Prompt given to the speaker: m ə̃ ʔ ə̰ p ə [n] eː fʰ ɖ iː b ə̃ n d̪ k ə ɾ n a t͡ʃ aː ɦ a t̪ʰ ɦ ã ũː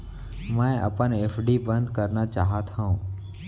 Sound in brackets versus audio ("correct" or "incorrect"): correct